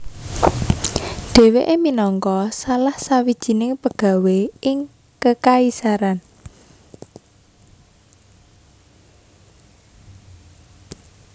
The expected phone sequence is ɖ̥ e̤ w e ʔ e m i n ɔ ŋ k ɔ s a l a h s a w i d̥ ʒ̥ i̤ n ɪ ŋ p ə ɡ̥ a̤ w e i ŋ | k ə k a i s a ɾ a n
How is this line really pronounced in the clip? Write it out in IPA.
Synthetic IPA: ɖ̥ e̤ w e ʔ e m i n ɔ ŋ k ɔ s a l a h s a w i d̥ ʒ̥ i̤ n ɪ ŋ p ə ɡ̥ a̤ w e ɪ ŋ | k ə k a i s a ɾ a n